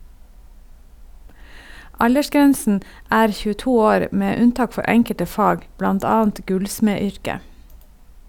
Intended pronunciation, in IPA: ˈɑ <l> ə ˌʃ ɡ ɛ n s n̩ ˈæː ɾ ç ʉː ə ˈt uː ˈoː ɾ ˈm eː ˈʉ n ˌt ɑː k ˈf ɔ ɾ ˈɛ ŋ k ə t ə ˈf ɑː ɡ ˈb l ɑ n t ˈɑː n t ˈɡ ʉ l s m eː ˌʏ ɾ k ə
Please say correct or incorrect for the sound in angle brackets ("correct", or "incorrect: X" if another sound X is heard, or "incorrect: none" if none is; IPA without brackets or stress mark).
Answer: incorrect: ʎ